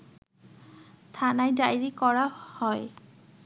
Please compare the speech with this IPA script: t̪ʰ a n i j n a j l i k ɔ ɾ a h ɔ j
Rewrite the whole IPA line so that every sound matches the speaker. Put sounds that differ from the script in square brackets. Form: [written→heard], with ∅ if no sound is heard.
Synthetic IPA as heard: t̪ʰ a n [i→a] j [n→d] a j [l→ɹ] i k ɔ [ɾ→ɹ] a h ɔ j